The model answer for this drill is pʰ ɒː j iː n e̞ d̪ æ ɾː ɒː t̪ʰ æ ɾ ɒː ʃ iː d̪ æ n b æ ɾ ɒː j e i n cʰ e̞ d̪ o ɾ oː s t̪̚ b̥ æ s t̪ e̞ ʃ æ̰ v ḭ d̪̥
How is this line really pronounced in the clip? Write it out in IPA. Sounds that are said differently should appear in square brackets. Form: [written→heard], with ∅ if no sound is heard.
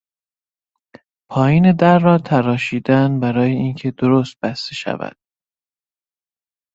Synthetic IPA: pʰ ɒː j iː n e̞ d̪ æ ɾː ɒː t̪ʰ æ ɾ ɒː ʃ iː d̪ æ n b æ ɾ ɒː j e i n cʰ e̞ d̪ o ɾ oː s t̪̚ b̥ æ s t̪ e̞ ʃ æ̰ v [ḭ→æ̰] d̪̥

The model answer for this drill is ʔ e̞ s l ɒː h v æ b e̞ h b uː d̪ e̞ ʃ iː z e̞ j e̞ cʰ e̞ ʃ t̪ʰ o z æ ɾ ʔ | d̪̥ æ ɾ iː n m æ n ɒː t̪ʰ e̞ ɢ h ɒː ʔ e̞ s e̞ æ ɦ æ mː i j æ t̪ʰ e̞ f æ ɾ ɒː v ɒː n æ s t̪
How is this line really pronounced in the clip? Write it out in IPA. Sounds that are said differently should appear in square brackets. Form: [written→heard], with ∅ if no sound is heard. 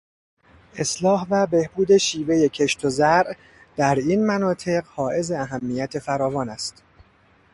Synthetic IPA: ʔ e̞ s l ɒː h v æ b e̞ h b uː d̪ e̞ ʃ iː [z→v] e̞ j e̞ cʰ e̞ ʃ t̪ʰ o z æ ɾ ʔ | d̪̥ æ ɾ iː n m æ n ɒː t̪ʰ e̞ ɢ h ɒː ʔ e̞ [s→z] e̞ æ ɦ æ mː i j æ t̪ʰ e̞ f æ ɾ ɒː v ɒː n æ s t̪

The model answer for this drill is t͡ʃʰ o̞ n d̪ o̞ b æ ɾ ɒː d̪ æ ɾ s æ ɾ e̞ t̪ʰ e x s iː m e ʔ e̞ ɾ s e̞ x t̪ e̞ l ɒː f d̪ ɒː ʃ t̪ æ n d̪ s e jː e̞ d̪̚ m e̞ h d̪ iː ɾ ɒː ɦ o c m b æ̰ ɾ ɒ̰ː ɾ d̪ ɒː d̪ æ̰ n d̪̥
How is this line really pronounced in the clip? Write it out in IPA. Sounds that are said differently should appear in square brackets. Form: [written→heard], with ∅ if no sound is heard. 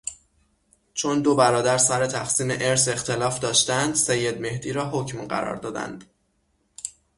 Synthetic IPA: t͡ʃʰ o̞ n d̪ o̞ b æ ɾ ɒː d̪ æ ɾ s æ ɾ e̞ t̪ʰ [e→æ] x s iː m e ʔ e̞ ɾ s e̞ x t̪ e̞ l ɒː f d̪ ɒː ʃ t̪ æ n d̪ s e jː e̞ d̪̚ m e̞ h d̪ iː ɾ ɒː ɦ o c m [b→ɢ] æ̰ ɾ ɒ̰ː ɾ d̪ ɒː d̪ æ̰ n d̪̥

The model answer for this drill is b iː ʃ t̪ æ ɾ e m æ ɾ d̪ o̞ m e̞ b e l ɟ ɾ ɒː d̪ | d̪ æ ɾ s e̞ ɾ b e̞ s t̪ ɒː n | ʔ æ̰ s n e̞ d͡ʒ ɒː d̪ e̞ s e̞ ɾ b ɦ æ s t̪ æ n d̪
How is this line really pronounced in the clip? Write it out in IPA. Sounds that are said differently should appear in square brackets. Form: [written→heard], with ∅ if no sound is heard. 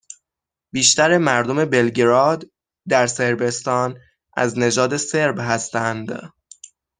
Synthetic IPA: b iː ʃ t̪ æ ɾ e m æ ɾ d̪ o̞ m e̞ b e l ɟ ɾ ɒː d̪ | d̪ æ ɾ s e̞ ɾ b e̞ s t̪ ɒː n | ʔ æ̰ [s→z] n e̞ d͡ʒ ɒː d̪ e̞ s e̞ ɾ b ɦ æ s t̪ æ n d̪

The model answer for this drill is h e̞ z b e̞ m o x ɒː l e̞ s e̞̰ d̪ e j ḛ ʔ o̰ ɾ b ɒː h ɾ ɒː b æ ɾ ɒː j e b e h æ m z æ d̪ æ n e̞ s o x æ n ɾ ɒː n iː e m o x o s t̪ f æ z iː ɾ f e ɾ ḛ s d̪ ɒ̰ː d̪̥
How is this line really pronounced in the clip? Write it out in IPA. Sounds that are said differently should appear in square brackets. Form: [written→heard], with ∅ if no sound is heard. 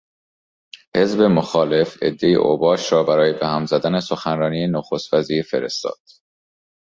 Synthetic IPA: h e̞ z b e̞ m o x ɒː l e̞ [s→f] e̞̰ [d̪→d̪ː] e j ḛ ʔ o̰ [ɾ→∅] b ɒː [h→ʃ] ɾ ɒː b æ ɾ ɒː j e b e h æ m z æ d̪ æ n e̞ s o x æ n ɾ ɒː n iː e [m→n] o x o s t̪ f æ z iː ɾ f e ɾ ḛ s [d̪→t̪] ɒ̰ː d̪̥

